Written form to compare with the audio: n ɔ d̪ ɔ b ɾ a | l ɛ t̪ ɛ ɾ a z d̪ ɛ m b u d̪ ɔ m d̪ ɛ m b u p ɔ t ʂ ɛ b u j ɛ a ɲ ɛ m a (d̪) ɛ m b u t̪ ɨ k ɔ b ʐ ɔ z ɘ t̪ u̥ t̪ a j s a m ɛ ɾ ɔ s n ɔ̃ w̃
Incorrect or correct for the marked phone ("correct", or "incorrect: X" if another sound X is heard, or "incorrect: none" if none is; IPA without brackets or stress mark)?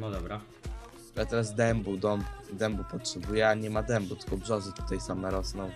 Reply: correct